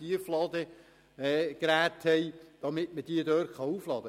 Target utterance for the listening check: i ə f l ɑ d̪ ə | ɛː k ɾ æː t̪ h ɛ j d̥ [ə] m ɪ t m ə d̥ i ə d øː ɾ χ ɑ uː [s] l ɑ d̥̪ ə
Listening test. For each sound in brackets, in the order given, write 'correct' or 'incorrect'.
incorrect, incorrect

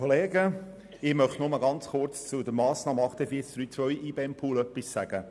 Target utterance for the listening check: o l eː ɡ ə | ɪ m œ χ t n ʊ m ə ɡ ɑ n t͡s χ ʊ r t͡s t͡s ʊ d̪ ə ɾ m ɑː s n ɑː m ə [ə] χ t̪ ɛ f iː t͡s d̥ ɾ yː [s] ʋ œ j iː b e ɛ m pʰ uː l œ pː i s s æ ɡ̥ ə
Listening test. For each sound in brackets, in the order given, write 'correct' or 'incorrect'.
incorrect, incorrect

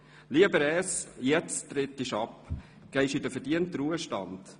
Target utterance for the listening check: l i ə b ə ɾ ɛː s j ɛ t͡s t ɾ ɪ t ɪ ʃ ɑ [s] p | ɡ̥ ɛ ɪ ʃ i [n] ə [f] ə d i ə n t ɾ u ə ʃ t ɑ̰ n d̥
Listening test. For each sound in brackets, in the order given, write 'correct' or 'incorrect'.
incorrect, incorrect, correct

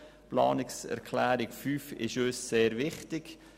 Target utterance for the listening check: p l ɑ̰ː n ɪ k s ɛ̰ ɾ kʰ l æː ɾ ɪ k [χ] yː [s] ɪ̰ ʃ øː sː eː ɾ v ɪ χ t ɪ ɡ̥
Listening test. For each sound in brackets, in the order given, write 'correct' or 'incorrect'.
incorrect, incorrect

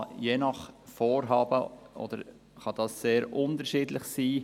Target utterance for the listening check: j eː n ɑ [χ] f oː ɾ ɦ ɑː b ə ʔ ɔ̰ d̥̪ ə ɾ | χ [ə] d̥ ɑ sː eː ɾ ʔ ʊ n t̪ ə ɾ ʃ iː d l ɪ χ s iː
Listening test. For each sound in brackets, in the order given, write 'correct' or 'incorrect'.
correct, incorrect

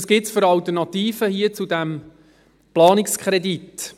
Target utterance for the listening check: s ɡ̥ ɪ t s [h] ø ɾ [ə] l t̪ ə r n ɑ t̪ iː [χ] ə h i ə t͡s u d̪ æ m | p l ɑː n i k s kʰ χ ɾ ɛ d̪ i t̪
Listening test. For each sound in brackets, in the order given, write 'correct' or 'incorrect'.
incorrect, incorrect, incorrect

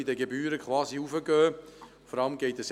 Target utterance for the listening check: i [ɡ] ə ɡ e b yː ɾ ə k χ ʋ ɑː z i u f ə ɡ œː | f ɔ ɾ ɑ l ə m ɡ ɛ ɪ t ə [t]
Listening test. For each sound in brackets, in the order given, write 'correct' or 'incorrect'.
incorrect, incorrect

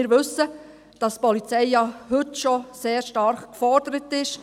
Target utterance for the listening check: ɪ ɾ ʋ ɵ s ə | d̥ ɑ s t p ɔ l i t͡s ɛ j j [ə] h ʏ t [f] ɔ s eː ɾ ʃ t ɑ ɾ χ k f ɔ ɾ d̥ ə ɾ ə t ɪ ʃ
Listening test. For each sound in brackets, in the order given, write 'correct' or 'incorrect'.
incorrect, incorrect

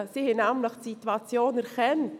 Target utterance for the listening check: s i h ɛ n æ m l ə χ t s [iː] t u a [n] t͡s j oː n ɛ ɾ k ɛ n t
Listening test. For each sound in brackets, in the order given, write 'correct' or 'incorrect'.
incorrect, incorrect

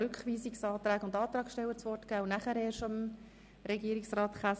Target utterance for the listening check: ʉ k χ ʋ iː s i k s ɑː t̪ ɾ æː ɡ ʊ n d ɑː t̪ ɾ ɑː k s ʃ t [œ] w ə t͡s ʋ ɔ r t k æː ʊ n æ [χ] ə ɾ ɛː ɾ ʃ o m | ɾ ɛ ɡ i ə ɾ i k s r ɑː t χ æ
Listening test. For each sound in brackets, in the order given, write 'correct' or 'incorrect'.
incorrect, correct

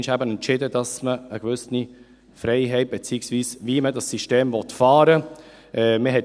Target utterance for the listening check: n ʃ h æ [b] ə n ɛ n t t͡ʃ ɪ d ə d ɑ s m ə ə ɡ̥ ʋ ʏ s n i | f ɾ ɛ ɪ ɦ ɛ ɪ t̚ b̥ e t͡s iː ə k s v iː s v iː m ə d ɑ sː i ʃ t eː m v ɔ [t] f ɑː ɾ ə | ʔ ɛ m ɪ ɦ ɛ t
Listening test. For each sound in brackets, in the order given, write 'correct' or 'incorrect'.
correct, correct

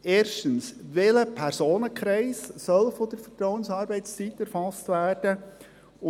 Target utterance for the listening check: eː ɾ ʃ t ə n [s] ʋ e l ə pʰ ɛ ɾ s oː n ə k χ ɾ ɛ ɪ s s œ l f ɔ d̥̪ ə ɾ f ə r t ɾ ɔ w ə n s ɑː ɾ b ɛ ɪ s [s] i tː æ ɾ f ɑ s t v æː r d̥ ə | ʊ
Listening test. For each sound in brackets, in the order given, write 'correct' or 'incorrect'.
correct, incorrect

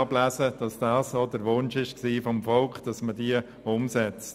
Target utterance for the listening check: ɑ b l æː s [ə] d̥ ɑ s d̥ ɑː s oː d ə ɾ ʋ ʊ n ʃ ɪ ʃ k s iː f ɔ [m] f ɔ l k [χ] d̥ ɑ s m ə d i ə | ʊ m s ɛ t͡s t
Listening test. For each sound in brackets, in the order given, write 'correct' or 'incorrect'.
correct, correct, correct

